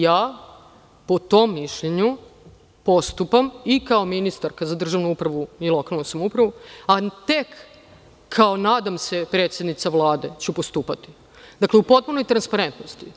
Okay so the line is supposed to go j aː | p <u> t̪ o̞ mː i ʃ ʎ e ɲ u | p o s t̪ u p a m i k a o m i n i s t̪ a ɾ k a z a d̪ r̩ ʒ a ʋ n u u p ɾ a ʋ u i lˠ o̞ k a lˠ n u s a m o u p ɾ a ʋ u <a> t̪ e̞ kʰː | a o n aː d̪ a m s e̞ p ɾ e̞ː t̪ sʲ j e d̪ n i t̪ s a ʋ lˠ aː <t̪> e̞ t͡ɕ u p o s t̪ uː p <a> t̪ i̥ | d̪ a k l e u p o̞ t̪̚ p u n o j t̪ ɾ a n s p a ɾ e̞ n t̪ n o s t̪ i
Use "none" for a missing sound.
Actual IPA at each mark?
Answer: o, a, d̪, a

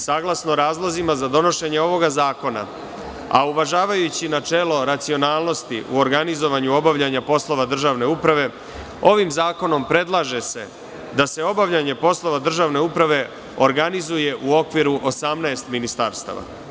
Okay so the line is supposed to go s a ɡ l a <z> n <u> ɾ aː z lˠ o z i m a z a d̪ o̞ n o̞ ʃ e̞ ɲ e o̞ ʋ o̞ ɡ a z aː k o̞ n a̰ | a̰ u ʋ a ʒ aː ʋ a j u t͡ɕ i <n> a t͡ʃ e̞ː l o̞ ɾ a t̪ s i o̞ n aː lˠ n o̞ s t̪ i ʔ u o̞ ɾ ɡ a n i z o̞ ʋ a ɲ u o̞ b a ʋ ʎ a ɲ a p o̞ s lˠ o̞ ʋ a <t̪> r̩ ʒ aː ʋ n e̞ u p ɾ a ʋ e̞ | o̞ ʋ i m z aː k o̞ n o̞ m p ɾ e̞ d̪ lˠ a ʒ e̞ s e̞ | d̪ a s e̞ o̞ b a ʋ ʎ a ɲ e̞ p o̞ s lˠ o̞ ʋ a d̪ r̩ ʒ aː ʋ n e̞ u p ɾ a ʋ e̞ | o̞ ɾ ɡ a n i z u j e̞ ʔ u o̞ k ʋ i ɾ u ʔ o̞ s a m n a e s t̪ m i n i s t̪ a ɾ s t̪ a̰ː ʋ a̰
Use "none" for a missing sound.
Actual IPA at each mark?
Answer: s, o, n, d̪

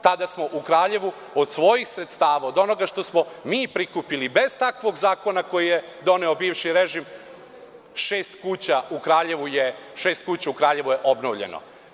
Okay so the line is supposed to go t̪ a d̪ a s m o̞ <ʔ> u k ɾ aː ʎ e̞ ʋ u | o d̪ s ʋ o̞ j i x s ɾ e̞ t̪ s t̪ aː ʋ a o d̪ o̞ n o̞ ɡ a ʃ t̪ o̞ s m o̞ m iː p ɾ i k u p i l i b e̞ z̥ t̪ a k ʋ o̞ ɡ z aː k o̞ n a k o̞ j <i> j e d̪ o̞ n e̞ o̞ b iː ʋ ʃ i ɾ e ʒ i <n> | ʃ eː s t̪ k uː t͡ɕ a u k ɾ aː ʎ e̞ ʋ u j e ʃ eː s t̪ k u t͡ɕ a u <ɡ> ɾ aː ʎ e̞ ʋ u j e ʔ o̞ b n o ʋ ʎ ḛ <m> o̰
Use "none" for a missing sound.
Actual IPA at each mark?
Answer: ʔ, i, m, k, n

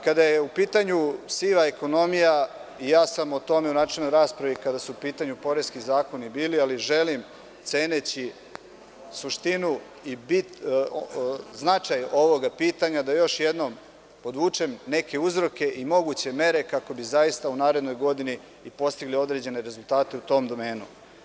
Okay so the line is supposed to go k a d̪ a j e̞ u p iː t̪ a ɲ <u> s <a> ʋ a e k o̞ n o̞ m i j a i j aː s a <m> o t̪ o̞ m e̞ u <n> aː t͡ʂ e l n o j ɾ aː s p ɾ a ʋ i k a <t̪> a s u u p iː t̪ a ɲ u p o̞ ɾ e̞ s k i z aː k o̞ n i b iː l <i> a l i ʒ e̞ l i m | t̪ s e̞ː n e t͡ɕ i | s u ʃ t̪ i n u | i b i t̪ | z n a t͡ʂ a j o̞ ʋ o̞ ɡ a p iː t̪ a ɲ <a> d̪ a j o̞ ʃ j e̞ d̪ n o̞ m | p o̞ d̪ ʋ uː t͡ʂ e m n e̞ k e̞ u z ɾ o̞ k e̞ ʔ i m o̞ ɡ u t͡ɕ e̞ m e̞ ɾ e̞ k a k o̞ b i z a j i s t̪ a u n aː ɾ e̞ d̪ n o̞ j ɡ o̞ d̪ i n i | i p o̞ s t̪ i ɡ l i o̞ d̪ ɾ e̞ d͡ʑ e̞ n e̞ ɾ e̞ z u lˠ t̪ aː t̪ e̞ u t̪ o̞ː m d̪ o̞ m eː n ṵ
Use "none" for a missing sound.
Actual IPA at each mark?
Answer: u, i, m, n, d̪, i, a

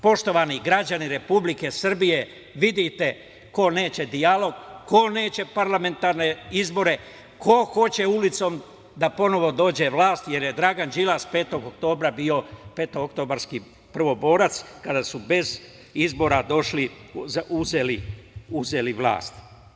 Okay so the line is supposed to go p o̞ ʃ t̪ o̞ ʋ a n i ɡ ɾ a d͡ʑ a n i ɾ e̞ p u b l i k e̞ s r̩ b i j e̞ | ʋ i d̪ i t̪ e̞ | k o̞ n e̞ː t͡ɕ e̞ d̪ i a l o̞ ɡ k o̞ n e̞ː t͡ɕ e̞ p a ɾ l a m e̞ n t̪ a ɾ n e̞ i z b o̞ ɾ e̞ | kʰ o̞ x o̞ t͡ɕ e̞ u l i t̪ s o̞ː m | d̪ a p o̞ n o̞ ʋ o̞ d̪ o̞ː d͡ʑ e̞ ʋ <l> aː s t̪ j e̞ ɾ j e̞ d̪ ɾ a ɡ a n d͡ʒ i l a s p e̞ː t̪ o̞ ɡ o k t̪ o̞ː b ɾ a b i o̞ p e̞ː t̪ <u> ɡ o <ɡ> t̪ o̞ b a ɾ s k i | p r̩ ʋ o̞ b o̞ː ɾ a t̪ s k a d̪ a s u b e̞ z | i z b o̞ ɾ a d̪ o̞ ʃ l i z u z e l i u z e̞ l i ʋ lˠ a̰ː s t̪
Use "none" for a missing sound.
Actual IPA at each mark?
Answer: l, o, k

